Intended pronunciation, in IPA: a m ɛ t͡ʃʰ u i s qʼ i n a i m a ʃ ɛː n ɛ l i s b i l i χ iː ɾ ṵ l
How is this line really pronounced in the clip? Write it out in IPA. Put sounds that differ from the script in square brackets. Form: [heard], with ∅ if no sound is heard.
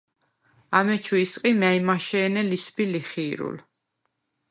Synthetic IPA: a m ɛ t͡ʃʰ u i s qʼ i [m] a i m a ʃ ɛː n ɛ l i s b i l i χ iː ɾ ṵ l